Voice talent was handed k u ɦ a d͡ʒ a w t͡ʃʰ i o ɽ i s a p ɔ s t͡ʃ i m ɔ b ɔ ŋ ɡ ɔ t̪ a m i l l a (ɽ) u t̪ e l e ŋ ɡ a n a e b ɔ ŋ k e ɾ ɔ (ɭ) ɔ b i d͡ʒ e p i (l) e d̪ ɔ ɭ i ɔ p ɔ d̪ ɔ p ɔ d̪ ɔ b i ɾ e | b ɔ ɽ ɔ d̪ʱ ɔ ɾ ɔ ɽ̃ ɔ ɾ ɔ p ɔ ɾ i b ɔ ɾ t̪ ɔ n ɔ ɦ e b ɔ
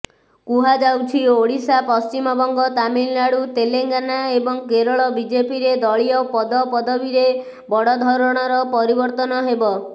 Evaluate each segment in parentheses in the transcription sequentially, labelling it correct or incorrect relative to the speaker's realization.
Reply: correct, correct, incorrect

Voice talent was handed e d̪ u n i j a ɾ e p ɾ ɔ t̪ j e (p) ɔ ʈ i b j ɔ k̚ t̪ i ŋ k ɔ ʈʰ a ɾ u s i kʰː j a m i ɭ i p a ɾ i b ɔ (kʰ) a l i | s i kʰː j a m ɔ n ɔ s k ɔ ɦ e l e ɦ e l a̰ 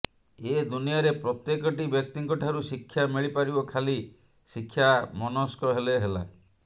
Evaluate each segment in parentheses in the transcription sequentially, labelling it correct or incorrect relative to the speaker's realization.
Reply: incorrect, correct

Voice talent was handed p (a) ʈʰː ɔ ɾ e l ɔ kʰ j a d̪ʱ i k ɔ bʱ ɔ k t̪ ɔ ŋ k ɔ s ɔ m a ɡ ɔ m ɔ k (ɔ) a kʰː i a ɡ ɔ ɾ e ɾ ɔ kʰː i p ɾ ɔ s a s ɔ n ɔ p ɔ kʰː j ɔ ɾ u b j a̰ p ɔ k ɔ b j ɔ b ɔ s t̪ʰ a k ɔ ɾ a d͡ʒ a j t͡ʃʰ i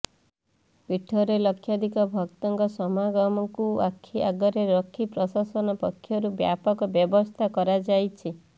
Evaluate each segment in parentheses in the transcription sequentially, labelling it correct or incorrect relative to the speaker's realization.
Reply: incorrect, incorrect

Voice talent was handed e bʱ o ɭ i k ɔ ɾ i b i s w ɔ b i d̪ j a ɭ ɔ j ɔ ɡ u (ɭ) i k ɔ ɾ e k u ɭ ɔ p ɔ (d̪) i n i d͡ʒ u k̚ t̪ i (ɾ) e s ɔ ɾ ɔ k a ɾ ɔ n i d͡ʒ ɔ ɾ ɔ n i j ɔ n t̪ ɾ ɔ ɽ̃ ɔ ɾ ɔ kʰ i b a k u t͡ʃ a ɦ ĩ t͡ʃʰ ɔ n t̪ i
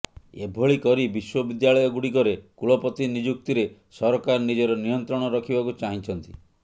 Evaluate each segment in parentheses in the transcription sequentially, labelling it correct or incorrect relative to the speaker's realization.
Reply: incorrect, incorrect, correct

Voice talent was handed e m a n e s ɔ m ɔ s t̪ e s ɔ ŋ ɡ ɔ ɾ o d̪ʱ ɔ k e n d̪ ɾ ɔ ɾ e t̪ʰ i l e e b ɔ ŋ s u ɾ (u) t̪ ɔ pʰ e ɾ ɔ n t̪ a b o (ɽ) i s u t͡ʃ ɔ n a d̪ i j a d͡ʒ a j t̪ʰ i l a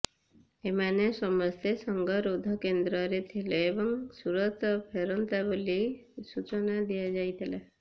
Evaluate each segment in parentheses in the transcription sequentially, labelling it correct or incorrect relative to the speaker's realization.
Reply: incorrect, incorrect

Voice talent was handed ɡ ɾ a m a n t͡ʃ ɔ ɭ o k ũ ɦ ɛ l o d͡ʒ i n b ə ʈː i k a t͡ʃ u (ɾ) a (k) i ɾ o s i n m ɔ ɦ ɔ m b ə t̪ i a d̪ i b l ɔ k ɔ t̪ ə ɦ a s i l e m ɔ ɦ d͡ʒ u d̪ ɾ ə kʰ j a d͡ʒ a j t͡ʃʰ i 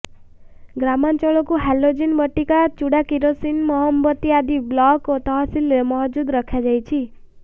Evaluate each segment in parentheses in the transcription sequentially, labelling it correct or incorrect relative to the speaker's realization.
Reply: incorrect, correct

